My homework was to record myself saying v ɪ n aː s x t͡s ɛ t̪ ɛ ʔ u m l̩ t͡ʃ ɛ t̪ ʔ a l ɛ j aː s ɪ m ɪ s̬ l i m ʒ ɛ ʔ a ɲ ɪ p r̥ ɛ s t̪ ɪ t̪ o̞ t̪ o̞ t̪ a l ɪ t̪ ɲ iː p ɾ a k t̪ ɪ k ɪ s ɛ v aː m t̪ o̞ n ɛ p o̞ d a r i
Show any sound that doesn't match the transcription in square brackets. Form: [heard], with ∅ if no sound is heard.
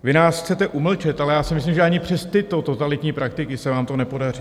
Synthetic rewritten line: v ɪ n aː s x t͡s ɛ t̪ ɛ ʔ u m l̩ t͡ʃ ɛ t̪ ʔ a l ɛ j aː s ɪ m ɪ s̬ l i m ʒ ɛ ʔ a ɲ ɪ p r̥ ɛ s t̪ ɪ t̪ o̞ t̪ o̞ t̪ a l ɪ t̪ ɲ iː p ɾ a k t̪ ɪ k ɪ s ɛ v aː m t̪ o̞ n ɛ p o̞ d a r i